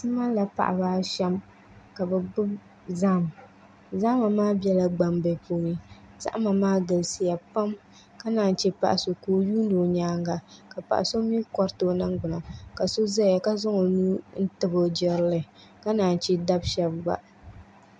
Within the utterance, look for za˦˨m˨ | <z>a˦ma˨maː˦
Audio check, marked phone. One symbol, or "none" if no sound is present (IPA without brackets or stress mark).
z